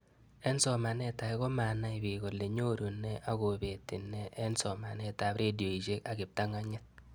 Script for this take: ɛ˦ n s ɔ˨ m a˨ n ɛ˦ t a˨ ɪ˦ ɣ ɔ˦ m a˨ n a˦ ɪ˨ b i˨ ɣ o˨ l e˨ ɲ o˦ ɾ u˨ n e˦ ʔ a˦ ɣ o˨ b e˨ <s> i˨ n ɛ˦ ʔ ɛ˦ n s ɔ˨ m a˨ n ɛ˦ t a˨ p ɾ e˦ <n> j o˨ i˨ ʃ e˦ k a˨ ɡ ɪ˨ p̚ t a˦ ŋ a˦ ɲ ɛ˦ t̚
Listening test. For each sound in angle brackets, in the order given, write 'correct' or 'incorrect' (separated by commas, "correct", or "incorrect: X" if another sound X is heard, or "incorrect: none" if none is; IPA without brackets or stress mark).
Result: incorrect: t, incorrect: d